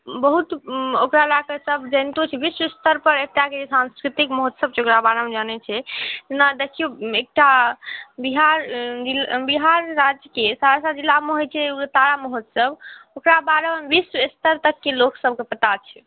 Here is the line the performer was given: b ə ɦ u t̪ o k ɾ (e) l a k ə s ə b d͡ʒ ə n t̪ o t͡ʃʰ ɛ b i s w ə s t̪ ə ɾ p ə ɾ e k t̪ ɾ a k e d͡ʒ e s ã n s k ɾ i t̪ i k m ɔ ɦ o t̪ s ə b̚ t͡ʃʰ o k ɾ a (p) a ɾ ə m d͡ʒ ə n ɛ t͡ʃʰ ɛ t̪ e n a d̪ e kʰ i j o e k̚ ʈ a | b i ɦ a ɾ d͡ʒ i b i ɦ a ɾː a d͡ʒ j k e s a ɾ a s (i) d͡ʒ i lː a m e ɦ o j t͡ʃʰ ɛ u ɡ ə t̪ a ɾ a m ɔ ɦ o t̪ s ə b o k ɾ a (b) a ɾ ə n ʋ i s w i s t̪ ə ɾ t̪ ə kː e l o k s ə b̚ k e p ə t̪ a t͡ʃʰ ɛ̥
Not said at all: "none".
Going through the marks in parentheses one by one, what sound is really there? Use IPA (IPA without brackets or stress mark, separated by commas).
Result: a, b, a, b